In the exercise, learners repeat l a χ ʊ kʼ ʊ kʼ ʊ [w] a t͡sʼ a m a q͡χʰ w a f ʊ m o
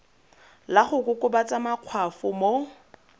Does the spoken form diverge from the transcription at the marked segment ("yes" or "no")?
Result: yes